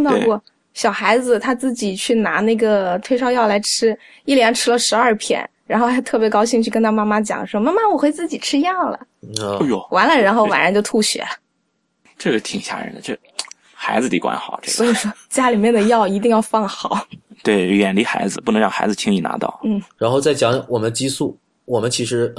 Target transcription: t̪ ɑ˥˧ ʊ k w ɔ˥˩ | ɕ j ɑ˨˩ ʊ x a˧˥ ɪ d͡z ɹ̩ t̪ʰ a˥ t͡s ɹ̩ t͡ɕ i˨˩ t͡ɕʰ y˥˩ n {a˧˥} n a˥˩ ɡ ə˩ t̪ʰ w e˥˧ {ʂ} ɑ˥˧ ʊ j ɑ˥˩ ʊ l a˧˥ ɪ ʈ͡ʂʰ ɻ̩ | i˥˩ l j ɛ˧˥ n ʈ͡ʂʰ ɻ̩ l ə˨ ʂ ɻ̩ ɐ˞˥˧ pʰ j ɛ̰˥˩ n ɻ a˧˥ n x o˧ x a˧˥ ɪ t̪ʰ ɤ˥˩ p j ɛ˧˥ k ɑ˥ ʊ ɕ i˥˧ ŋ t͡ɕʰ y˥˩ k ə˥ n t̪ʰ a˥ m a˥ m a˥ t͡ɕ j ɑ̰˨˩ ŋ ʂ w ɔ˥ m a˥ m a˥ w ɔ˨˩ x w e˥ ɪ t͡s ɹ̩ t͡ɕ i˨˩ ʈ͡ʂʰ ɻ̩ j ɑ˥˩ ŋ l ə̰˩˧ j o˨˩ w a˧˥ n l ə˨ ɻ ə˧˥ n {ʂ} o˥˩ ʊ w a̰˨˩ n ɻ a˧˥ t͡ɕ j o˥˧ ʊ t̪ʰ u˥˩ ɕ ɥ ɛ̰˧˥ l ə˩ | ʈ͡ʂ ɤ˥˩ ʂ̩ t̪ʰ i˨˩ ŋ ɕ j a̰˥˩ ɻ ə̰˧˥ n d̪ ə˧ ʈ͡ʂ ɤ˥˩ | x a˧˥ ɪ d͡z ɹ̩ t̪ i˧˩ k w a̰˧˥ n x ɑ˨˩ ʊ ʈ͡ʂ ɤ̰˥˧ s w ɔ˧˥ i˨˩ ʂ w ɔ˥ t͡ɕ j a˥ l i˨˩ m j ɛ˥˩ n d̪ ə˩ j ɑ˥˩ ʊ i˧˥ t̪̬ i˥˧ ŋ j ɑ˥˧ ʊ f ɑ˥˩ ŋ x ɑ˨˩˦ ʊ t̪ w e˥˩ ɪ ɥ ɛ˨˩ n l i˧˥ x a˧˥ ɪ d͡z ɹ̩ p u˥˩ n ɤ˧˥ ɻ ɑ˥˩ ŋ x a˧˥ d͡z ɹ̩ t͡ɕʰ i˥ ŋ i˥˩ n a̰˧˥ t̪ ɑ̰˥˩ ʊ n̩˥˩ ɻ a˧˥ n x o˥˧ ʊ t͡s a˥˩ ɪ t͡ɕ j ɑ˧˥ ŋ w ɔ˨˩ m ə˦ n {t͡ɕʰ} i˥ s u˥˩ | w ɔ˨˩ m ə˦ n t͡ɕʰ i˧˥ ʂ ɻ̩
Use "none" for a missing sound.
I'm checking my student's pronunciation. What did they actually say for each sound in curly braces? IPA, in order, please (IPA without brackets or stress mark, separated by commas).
a˧˥, ʂ, x, t͡ɕ